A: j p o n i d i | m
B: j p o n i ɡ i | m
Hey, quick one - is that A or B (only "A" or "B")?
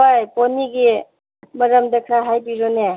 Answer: B